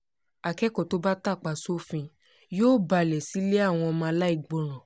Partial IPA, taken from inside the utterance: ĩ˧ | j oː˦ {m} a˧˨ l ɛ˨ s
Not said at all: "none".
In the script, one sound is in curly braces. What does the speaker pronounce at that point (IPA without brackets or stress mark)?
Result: b